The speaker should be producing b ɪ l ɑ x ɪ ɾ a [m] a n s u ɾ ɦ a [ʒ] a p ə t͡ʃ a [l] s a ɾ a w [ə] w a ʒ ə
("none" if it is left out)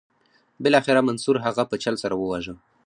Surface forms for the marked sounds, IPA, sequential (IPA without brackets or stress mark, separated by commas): m, ɣ, l, ə